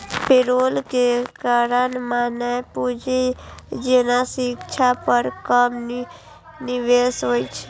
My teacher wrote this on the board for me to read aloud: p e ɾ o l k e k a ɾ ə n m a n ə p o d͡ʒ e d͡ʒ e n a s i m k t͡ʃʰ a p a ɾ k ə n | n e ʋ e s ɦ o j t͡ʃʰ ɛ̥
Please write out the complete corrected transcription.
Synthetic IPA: p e ɾ o l k e k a ɾ ə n m a n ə p u d͡ʒ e d͡ʒ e n a s i k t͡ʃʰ a p ə ɾ k ə m | n i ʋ e s ɦ o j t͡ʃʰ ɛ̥

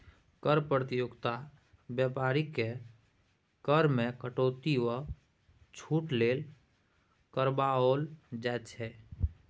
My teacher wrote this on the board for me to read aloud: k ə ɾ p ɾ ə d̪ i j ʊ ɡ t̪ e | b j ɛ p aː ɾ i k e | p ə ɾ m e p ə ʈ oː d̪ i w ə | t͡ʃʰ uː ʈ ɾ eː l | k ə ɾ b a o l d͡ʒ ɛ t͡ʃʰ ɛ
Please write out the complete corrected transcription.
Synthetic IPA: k ə ɾ p ɾ ə t̪ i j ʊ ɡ t̪ a | b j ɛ p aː ɾ i k e | k ə ɾ m e k ə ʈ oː t̪ i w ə | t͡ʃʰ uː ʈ l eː l | k ə ɾ b a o l d͡ʒ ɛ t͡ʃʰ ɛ

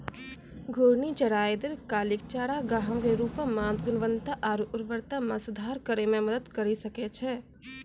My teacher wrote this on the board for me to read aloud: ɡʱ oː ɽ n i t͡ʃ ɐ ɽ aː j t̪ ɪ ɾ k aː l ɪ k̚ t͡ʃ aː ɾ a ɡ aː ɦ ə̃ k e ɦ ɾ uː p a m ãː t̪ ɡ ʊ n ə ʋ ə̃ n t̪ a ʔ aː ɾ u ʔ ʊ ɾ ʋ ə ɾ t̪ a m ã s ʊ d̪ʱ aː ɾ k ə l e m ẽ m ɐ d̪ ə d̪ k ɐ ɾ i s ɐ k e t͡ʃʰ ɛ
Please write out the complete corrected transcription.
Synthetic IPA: ɡʱ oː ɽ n i t͡ʃ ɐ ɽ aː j d̪ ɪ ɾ k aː l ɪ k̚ t͡ʃ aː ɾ a ɡ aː ɦ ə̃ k e ɾ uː p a m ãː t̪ ɡ ʊ n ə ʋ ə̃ n t̪ a ʔ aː ɾ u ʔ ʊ ɾ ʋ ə ɾ t̪ a m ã s ʊ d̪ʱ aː ɾ k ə ɾ e m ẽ m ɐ d̪ ə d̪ k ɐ ɾ i s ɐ k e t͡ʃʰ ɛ

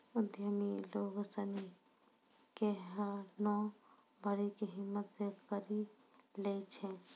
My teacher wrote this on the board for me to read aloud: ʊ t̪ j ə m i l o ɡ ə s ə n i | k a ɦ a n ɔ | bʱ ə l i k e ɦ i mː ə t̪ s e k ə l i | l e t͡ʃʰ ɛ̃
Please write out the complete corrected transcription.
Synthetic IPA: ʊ d̪ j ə m i l o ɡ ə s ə n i | k e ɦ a n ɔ | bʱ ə ɾ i k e ɦ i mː ə t̪ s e k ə ɾ i | l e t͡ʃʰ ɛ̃

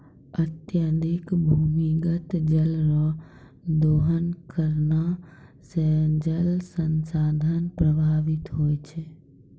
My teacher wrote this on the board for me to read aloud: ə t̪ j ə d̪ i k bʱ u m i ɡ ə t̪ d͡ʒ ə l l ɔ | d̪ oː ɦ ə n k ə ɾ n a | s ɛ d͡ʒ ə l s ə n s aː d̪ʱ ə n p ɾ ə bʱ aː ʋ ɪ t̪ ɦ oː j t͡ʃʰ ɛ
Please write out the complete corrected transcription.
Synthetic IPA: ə t̪ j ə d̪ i k bʱ u m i ɡ ə t̪ d͡ʒ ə l ɾ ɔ | d̪ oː ɦ ə n k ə ɾ n a | s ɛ d͡ʒ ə l s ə n s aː d̪ʱ ə n p ɾ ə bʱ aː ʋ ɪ t̪ ɦ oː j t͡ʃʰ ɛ

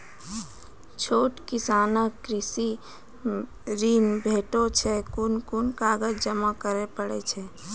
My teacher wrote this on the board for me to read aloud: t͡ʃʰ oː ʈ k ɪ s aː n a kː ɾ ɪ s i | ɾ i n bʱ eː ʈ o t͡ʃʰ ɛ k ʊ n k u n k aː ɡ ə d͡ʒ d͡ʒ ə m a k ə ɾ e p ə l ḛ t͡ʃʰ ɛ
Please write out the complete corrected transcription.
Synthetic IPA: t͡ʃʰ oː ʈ k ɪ s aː n ə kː ɾ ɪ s i | ɾ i n bʱ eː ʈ o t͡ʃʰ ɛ k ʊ n k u n k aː ɡ ə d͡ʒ d͡ʒ ə m a k ə ɾ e p ə ɽ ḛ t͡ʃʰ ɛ

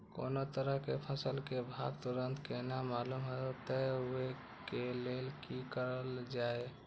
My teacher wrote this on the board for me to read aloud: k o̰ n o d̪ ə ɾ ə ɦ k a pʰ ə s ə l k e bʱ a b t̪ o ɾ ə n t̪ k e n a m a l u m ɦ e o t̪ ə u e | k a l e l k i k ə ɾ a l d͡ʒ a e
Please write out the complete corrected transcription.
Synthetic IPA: k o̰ n o t̪ ə ɾ ə ɦ k e pʰ ə s ə l k e bʱ a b t̪ u ɾ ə n t̪ k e n a m a l u m ɦ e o t̪ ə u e | k e l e l k i k ə ɾ ə l d͡ʒ a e

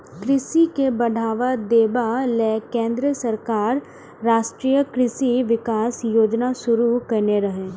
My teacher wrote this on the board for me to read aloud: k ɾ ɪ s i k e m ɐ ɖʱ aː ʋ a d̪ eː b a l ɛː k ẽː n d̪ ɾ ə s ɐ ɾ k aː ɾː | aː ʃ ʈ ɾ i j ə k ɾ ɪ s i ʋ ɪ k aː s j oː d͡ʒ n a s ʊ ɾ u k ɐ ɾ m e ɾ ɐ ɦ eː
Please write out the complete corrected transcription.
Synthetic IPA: k ɾ ɪ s i k e b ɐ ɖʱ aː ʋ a d̪ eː b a l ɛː k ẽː n d̪ ɾ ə s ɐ ɾ k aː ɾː | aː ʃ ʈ ɾ i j ə k ɾ ɪ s i ʋ ɪ k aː s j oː d͡ʒ n a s ʊ ɾ u k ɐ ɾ n e ɾ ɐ ɦ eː

